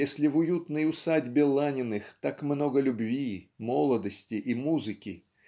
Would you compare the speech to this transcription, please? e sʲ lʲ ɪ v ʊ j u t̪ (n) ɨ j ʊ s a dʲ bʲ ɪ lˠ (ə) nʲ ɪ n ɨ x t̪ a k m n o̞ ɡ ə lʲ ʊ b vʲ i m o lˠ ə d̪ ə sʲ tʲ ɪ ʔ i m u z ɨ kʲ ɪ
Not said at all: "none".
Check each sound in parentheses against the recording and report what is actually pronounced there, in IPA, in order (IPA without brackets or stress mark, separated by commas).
n, a